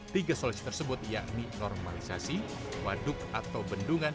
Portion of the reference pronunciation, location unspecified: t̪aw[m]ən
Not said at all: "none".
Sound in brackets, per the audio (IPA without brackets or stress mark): b